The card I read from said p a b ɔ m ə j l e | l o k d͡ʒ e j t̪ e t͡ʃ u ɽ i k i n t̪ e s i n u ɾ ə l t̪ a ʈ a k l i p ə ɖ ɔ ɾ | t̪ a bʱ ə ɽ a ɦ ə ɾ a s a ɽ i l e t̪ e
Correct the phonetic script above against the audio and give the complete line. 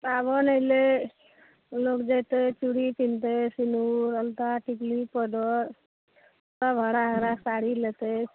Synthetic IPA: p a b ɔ n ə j l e | l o k d͡ʒ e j t̪ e t͡ʃ u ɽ i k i n t̪ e s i n u ɾ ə l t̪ a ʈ i k l i p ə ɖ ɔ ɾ | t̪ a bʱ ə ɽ a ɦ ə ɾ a s a ɽ i l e t̪ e